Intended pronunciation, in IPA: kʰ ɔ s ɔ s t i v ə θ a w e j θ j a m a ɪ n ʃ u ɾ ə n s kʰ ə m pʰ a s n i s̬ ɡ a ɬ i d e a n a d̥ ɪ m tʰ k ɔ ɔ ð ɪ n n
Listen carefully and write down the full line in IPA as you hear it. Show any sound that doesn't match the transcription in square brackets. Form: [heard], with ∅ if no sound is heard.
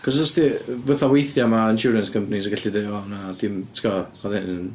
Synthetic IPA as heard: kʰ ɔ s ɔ s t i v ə θ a w e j θ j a m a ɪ n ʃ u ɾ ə n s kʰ ə m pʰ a [∅] n i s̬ ɡ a ɬ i d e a n a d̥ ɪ m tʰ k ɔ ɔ ð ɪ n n